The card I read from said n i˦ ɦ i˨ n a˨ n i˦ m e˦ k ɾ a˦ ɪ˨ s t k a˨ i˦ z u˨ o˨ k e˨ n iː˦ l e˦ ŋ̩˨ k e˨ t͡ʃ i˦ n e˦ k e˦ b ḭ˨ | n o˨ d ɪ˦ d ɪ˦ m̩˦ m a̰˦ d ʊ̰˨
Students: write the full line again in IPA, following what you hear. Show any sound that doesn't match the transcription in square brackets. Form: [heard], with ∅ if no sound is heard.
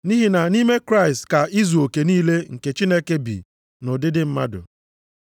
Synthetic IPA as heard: n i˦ ɦ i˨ n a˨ n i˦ m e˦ k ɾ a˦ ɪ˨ s t k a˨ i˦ z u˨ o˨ k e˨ n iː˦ l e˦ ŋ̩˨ k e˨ t͡ʃ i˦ n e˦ k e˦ b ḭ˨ | n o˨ d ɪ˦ d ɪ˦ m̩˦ m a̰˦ d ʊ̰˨

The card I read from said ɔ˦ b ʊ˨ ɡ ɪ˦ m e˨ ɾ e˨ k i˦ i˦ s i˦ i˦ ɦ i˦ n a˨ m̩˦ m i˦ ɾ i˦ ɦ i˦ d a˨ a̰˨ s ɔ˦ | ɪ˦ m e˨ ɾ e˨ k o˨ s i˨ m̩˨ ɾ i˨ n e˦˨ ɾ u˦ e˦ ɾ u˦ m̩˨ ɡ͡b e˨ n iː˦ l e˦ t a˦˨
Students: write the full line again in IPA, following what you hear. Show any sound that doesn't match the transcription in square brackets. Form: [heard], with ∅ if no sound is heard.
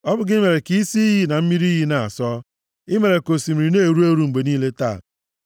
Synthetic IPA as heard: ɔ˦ b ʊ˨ ɡ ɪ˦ m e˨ ɾ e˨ k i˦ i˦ s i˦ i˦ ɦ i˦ n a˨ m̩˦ m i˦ ɾ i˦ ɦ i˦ [n] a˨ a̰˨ s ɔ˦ | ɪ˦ m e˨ ɾ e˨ k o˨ s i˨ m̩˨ ɾ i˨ n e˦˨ ɾ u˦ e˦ ɾ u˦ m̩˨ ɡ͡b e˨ n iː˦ l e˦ t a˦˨

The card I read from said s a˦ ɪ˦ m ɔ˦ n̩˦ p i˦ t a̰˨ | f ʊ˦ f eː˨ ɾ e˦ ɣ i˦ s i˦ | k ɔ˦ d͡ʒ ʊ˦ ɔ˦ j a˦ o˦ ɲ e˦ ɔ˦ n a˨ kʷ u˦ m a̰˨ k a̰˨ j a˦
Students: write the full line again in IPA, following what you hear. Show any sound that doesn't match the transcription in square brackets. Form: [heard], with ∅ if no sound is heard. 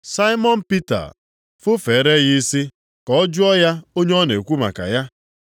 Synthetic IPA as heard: s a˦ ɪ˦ m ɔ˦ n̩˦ p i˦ t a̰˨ | f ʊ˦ f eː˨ ɾ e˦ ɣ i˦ s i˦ | k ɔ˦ d͡ʒ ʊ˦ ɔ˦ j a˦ o˦ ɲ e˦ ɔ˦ n [e˨] kʷ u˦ m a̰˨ k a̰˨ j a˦

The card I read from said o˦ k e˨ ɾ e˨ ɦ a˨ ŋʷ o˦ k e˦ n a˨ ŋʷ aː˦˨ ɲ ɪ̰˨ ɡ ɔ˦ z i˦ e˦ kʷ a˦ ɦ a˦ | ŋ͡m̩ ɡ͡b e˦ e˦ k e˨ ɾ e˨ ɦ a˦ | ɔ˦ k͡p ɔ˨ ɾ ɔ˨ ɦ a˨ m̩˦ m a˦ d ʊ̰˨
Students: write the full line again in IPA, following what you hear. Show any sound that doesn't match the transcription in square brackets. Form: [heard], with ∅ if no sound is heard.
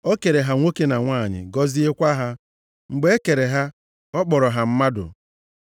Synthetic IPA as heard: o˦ k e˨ ɾ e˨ ɦ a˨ ŋʷ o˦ k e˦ n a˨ ŋʷ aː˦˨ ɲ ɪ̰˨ ɡ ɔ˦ z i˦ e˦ kʷ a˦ ɦ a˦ | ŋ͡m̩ ɡ͡b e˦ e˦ k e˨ ɾ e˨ ɦ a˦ | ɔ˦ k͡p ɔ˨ ɾ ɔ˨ ɦ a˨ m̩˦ m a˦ d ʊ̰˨

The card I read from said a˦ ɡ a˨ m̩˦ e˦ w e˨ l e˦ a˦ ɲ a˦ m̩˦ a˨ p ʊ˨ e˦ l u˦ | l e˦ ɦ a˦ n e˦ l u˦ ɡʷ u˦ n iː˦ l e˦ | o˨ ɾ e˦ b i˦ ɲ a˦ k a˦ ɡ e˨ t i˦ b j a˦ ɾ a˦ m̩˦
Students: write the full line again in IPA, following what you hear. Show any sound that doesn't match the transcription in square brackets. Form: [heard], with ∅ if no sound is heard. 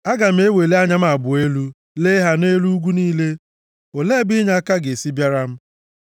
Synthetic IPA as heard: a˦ ɡ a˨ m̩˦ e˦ w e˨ l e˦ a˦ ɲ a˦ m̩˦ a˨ [b] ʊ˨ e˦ l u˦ | l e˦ ɦ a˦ n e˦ l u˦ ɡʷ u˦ n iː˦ l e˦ | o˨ [l] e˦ b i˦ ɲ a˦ k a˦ ɡ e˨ [s] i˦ b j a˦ ɾ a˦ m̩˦

